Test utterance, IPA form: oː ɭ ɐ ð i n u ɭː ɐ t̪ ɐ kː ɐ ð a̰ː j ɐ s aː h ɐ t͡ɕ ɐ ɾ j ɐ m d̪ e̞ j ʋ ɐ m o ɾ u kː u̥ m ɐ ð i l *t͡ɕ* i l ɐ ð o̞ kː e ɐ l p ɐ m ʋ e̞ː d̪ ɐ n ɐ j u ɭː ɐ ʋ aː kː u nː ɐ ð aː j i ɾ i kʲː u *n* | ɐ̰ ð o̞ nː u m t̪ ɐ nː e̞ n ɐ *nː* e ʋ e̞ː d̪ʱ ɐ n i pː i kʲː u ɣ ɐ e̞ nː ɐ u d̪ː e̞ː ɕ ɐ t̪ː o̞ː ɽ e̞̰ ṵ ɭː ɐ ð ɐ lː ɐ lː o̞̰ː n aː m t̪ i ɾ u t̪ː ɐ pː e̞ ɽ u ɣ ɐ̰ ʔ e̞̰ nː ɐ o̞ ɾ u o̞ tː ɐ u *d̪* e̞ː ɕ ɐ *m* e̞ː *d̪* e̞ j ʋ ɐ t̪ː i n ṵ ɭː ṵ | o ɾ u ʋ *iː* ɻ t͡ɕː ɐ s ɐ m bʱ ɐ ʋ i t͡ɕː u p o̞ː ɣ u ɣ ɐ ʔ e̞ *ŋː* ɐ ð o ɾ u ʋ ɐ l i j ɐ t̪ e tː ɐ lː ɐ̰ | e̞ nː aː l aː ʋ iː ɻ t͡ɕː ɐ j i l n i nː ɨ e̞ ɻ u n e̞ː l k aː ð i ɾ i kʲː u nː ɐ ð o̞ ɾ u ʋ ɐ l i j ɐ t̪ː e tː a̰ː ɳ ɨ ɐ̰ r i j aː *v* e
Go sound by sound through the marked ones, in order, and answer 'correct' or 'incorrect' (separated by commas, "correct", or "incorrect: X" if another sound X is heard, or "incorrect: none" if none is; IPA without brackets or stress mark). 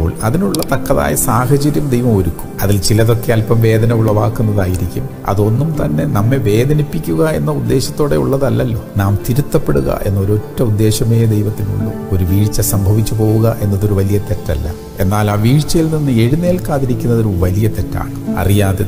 correct, incorrect: m, incorrect: mː, incorrect: d̪ː, correct, correct, correct, incorrect: nː, incorrect: ð